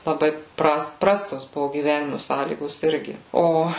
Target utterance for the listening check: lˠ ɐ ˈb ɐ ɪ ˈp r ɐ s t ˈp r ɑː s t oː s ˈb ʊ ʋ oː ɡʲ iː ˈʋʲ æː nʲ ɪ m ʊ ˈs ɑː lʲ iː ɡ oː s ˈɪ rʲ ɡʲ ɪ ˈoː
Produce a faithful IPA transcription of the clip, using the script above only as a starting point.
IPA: lˠ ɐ ˈb ɐ ɪ ˈp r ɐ s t ˈp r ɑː s t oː s ˈb ʊ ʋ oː ɡʲ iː ˈʋʲ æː nʲ ɪ m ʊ ˈs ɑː lʲ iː ɡ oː s ˈɪ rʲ ɡʲ ɪ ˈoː